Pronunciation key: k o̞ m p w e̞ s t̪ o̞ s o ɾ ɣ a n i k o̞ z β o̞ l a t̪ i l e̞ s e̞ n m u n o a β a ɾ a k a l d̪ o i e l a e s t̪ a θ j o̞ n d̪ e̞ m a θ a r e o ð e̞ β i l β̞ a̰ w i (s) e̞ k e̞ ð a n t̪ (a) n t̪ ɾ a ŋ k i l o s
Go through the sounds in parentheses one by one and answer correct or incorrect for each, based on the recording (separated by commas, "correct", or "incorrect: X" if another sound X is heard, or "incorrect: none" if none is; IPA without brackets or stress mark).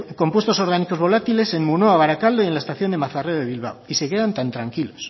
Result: correct, correct